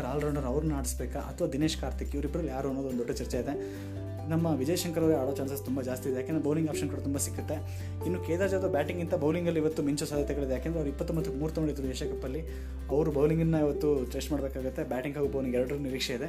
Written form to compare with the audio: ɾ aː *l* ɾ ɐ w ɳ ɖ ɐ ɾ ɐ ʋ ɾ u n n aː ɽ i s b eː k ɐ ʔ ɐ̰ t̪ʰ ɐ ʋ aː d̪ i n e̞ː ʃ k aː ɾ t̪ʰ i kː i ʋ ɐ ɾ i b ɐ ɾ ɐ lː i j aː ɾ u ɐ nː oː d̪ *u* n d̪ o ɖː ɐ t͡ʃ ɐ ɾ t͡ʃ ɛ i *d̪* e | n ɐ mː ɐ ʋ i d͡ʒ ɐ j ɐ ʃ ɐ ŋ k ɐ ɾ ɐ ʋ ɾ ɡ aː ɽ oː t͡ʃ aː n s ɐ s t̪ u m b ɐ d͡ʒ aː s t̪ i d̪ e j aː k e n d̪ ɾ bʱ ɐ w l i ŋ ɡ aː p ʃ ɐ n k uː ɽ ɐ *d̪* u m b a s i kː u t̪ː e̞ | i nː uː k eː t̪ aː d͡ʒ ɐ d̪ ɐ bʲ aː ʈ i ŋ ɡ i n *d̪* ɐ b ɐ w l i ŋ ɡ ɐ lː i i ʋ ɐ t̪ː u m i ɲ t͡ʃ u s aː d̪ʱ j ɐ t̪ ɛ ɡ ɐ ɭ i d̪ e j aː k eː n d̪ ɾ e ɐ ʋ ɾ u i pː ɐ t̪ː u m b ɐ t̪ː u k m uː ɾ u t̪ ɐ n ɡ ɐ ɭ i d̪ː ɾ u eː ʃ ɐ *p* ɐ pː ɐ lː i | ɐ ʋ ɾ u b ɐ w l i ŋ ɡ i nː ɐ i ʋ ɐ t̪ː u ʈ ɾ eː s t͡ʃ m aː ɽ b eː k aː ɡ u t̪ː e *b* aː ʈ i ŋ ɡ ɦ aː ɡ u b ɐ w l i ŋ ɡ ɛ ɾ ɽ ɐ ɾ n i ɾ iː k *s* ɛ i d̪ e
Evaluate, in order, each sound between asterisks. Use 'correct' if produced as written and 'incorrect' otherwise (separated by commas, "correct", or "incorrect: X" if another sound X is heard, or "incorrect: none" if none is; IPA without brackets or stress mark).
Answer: correct, incorrect: o, correct, incorrect: t̪, incorrect: t̪, incorrect: k, correct, incorrect: ʂ